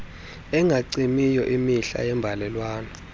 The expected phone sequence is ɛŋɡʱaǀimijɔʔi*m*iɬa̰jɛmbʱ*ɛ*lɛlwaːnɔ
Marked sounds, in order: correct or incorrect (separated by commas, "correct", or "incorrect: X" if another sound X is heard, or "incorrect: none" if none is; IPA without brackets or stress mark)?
correct, incorrect: a